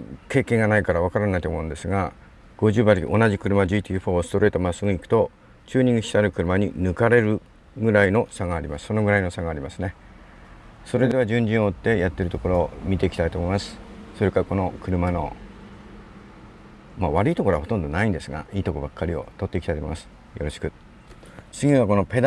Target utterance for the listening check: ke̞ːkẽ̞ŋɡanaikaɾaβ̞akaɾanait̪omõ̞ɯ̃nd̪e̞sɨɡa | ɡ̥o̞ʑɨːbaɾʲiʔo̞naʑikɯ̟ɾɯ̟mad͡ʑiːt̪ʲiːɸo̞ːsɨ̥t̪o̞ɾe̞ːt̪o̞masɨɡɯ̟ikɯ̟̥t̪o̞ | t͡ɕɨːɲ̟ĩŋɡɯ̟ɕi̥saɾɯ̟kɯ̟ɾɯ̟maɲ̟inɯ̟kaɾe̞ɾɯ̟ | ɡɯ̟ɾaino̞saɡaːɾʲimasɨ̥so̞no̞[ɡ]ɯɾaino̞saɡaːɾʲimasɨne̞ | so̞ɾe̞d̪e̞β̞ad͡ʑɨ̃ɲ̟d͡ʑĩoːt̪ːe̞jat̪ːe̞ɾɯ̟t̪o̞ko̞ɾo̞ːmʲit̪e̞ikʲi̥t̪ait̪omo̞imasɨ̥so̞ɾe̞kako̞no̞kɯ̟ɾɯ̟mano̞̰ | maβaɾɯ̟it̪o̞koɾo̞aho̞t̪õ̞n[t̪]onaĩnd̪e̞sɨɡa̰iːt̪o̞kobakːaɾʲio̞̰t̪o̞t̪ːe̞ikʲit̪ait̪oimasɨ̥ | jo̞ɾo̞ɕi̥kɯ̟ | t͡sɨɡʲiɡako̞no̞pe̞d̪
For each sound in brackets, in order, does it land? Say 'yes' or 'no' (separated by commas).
yes, no